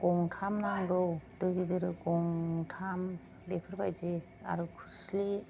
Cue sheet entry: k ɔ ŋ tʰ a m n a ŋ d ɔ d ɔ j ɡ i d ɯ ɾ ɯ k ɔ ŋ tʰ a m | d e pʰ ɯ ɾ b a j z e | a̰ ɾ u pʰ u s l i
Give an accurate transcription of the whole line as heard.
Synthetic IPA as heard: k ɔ ŋ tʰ a m n a ŋ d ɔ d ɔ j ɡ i d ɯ ɾ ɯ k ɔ ŋ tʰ a m | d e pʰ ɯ ɾ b a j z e | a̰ ɾ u kʰ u s l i